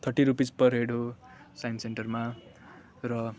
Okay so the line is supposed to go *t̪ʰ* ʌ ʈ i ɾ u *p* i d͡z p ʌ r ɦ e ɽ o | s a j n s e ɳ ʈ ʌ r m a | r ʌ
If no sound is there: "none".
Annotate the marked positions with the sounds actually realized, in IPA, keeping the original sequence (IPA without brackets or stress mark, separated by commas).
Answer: t̪ʰ, p